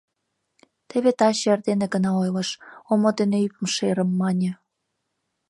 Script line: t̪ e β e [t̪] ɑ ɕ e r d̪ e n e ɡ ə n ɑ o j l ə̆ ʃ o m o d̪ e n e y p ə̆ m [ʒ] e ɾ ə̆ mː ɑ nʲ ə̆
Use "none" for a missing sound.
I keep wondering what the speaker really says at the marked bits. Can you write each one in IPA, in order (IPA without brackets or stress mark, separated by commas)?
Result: t̪, ʃ